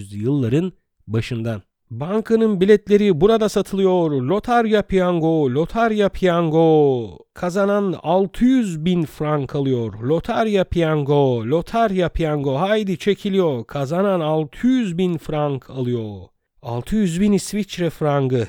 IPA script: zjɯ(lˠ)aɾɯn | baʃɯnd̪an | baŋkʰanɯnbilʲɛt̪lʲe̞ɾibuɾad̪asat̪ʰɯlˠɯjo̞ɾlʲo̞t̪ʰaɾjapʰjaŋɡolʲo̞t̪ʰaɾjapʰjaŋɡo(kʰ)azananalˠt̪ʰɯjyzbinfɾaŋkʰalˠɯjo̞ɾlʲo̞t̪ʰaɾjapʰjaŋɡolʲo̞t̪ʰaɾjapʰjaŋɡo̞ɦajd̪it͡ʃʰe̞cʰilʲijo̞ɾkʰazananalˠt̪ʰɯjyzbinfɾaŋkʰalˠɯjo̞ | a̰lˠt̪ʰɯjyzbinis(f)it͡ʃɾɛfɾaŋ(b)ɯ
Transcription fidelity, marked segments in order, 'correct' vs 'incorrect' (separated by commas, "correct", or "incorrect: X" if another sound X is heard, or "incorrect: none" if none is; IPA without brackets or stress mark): incorrect: lˠː, correct, incorrect: v, incorrect: ɡ